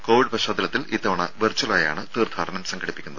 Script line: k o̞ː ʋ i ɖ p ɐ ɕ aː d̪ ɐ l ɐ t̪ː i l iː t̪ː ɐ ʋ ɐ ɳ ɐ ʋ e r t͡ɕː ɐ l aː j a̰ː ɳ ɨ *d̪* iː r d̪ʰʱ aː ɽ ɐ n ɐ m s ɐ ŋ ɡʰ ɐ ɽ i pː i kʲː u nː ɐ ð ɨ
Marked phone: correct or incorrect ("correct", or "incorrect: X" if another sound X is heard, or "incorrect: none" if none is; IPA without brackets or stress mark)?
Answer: incorrect: t̪